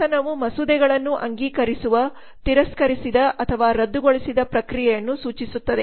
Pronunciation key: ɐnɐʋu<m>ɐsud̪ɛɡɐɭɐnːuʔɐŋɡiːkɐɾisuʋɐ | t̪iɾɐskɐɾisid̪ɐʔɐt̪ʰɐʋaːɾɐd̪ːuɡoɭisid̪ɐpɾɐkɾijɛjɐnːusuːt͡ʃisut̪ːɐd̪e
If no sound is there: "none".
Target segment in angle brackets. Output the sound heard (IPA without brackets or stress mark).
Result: m